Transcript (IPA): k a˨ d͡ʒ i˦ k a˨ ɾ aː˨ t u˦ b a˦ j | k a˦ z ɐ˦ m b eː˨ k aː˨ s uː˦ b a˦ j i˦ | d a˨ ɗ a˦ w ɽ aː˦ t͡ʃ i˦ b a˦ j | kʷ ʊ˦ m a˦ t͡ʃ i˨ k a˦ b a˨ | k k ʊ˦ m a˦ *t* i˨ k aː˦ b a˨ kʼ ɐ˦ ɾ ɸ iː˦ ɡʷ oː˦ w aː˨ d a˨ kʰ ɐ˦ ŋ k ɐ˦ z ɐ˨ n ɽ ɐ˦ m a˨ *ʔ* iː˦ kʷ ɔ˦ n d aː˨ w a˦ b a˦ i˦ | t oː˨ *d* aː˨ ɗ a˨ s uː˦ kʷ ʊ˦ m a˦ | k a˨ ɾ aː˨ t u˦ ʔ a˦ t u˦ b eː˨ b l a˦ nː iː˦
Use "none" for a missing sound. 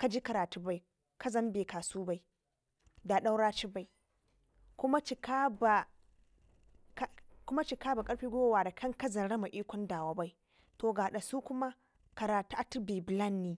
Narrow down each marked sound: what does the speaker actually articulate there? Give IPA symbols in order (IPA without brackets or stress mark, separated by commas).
t͡ʃ, ʔ, ɡ